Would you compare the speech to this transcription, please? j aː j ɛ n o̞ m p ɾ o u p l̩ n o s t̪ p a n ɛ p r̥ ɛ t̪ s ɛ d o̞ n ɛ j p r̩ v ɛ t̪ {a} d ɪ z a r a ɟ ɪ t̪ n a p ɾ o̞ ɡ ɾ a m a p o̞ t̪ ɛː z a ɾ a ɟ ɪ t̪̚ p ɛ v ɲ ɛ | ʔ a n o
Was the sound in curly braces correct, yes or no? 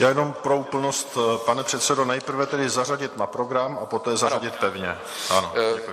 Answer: no